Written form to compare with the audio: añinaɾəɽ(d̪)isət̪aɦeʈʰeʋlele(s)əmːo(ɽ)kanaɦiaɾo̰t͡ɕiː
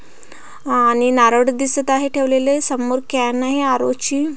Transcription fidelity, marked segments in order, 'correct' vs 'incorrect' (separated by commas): correct, correct, incorrect